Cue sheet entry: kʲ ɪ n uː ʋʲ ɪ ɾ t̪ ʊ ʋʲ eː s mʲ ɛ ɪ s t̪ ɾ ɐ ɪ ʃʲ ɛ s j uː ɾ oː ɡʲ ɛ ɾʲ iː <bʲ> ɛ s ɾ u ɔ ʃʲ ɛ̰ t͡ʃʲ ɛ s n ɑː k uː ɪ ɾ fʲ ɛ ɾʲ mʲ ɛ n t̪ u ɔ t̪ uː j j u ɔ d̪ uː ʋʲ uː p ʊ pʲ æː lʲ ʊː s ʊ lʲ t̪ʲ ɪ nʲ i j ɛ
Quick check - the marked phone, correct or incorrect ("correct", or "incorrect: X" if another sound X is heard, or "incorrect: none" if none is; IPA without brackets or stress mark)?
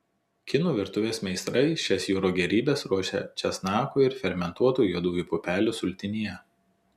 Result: correct